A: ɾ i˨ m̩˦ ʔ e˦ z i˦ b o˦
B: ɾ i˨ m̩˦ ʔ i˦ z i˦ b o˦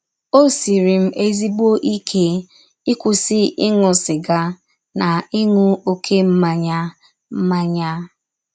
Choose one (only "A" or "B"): A